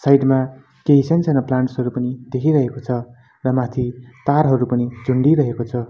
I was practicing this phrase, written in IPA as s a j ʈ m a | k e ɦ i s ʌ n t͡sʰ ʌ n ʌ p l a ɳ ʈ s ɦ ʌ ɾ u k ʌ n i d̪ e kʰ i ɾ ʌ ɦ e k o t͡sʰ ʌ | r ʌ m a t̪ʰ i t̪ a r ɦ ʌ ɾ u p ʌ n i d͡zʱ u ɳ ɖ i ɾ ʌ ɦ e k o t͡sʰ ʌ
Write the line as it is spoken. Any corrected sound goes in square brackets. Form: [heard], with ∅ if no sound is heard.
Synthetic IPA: s a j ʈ m a | k e ɦ i s ʌ n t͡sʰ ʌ n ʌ p l a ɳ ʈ s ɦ ʌ ɾ u [p] ʌ n i d̪ e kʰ i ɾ ʌ ɦ e k o t͡sʰ ʌ | r ʌ m a t̪ʰ i t̪ a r ɦ ʌ ɾ u p ʌ n i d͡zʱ u ɳ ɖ i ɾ ʌ ɦ e k o t͡sʰ ʌ